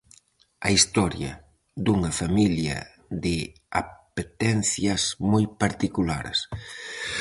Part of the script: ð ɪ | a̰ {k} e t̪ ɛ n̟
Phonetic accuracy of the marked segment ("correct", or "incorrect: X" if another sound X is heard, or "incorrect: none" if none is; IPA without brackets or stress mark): incorrect: p